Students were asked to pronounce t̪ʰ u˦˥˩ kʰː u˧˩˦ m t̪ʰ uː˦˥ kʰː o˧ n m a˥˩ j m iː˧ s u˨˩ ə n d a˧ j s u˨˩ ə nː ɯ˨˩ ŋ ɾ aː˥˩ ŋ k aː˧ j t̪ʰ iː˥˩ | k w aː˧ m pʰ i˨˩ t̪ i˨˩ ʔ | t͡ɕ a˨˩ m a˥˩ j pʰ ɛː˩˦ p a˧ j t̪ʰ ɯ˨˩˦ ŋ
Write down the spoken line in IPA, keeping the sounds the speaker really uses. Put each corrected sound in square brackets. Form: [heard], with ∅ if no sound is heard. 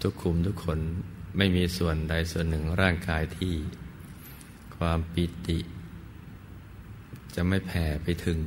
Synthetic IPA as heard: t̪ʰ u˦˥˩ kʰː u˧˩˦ m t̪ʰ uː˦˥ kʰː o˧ n m a˥˩ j m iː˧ s u˨˩ ə n d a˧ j s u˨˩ ə nː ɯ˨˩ ŋ ɾ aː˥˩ ŋ k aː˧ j t̪ʰ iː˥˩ | [kʰ] w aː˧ m [p] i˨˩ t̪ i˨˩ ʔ | t͡ɕ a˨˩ m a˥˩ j pʰ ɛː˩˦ p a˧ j t̪ʰ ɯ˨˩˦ ŋ